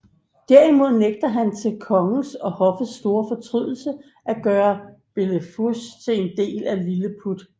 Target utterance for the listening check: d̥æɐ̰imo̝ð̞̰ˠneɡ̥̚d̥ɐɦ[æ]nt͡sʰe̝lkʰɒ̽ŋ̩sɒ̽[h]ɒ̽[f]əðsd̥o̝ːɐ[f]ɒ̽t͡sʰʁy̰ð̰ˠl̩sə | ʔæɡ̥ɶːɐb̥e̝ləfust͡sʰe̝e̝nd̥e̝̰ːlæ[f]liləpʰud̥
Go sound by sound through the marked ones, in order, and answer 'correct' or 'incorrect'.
correct, correct, correct, correct, incorrect: none

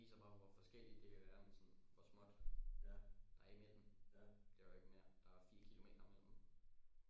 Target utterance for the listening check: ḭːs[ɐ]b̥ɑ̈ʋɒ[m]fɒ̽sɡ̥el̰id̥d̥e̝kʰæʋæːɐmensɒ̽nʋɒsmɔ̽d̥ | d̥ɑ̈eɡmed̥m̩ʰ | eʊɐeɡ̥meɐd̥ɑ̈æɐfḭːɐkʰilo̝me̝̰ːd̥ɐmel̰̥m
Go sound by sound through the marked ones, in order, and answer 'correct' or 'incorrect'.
correct, incorrect: none

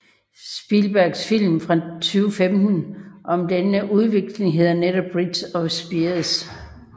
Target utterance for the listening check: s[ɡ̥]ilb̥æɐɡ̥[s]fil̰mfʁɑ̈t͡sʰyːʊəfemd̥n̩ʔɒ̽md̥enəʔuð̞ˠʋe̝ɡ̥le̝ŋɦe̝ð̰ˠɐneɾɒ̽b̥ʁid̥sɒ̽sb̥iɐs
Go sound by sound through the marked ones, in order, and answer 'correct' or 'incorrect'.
incorrect: b̥, correct

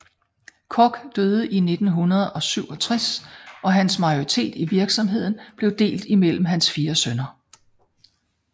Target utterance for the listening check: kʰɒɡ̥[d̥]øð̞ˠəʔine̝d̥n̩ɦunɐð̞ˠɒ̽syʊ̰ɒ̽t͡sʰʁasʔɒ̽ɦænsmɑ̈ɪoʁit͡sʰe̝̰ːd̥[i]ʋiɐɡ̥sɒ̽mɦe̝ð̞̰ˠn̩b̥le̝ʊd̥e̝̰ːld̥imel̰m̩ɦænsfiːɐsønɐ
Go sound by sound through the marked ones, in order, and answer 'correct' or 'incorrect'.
correct, correct

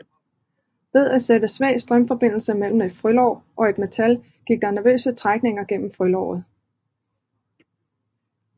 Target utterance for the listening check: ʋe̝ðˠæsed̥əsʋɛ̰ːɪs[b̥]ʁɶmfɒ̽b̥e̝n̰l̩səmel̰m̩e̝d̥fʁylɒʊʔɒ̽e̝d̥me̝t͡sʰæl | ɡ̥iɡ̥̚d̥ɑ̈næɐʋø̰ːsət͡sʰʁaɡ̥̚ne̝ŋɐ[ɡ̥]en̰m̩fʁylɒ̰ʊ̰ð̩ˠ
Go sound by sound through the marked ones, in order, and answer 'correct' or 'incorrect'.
incorrect: d̥, correct

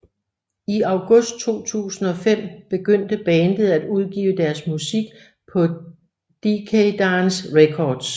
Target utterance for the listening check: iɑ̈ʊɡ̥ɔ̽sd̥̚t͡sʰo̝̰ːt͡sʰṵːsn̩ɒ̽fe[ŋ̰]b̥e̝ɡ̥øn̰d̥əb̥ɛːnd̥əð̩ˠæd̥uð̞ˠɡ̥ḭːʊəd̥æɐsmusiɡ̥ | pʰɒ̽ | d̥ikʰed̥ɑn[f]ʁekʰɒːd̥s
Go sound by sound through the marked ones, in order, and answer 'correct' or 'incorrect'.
incorrect: m̰, incorrect: s

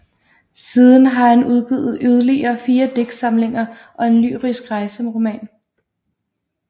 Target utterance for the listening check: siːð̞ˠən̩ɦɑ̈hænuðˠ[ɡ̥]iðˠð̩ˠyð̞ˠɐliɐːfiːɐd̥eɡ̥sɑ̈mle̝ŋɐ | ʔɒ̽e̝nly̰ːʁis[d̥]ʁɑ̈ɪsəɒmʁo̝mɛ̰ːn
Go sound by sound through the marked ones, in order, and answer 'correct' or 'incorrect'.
correct, incorrect: ɡ̥

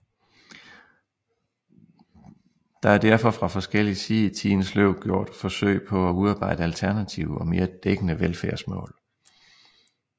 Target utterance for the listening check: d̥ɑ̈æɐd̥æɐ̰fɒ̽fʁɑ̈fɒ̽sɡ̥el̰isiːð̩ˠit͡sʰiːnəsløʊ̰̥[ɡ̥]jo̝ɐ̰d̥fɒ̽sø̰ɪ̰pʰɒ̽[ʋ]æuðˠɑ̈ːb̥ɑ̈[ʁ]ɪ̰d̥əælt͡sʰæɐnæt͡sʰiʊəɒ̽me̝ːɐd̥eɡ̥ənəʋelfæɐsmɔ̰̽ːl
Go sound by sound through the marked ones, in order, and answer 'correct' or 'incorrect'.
correct, incorrect: none, incorrect: none

